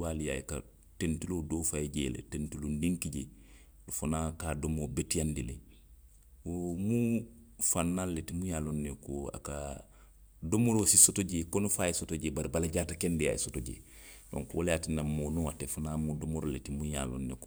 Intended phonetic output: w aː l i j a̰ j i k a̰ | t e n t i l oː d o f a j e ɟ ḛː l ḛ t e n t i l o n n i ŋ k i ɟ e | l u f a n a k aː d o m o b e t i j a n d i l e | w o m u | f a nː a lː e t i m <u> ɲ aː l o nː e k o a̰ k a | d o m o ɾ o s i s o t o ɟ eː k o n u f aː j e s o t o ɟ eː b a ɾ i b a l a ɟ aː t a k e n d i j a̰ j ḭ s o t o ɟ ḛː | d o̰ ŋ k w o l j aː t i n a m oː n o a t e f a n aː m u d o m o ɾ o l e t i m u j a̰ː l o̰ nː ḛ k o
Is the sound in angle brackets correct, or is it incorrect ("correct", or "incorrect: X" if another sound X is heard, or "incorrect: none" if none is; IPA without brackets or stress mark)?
correct